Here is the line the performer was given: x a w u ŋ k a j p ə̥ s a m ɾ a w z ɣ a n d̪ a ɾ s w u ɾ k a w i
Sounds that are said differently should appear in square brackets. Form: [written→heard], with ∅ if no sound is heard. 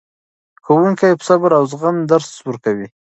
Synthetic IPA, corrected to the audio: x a w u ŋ k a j p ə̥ s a [m→b] ɾ a w z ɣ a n d̪ a ɾ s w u ɾ k a w i